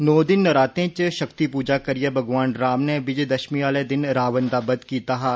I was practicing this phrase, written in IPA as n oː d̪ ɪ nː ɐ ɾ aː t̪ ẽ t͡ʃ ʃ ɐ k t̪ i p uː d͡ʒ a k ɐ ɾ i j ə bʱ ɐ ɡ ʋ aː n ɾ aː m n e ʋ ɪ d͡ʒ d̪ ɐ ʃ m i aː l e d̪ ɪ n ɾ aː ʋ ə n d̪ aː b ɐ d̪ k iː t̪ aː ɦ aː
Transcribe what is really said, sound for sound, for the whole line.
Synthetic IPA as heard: n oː d̪ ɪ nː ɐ ɾ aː t̪ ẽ t͡ʃ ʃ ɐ k t̪ i p uː d͡ʒ a k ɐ ɾ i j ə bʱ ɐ ɡ ʋ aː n ɾ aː m n e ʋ ɪ d͡ʒ d̪ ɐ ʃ m i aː l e d̪ ɪ n ɾ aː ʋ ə n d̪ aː b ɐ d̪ k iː t̪ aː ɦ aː